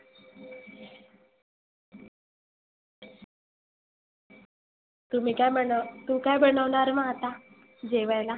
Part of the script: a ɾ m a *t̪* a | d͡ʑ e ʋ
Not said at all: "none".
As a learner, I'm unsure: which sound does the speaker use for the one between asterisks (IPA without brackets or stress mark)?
t̪